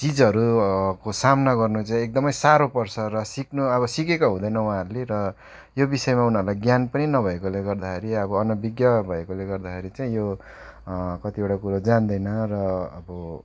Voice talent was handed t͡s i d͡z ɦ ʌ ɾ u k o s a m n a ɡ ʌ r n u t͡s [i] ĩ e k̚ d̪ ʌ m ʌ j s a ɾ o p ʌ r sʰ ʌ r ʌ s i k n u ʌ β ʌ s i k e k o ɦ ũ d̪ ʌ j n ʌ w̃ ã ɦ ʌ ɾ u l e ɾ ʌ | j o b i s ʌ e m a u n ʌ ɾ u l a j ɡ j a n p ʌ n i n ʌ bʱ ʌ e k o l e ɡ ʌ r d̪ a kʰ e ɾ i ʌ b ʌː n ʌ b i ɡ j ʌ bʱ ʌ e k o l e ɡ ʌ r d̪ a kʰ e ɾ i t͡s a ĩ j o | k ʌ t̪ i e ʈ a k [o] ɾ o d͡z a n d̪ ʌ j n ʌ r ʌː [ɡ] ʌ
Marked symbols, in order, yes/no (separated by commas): no, no, no